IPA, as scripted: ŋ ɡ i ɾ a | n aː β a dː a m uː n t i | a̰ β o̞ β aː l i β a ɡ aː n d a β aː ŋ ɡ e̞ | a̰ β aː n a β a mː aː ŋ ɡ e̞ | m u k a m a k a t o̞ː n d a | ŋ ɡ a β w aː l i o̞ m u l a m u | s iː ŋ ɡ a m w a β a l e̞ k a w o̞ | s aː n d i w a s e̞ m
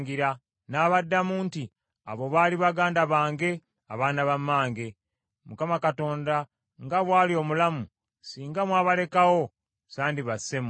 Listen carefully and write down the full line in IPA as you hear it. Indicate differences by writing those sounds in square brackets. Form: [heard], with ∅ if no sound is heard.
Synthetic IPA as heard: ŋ ɡ i ɾ a | n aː β a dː a m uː n t i | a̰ β o̞ β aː l i β a ɡ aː n d a β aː ŋ ɡ e̞ | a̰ β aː n a β a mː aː ŋ ɡ e̞ | m u k a m a k a t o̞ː n d a | ŋ ɡ a β w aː l i o̞ m u l a m u | s iː ŋ ɡ a m w a β a l e̞ k a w o̞ | s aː n d i [β] a s e̞ m